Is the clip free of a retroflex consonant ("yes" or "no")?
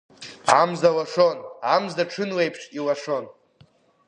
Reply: no